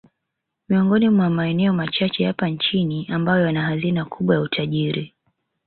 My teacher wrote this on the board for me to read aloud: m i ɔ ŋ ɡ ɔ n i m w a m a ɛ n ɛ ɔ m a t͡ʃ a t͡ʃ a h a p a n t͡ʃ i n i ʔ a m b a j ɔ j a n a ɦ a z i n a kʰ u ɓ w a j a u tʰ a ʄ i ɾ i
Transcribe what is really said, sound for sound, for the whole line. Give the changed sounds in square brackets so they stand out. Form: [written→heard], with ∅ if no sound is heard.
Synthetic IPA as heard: m i ɔ ŋ ɡ ɔ n i m w a m a ɛ n ɛ ɔ m a t͡ʃ a t͡ʃ [a→ɛ] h a p a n t͡ʃ i n i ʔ a m b a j ɔ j a n a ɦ a z i n a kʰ u ɓ w a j a u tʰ a ʄ i ɾ i